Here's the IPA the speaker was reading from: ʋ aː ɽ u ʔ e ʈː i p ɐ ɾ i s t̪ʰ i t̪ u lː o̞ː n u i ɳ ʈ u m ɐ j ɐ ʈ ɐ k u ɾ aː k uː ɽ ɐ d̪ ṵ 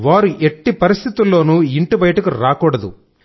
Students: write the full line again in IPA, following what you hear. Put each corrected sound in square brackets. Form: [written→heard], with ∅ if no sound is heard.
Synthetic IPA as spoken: ʋ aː [ɽ→ɾ] u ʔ e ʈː i p ɐ ɾ i s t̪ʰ i t̪ u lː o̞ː n u i ɳ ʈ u [m→b] ɐ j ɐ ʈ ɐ k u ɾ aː k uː ɽ ɐ d̪ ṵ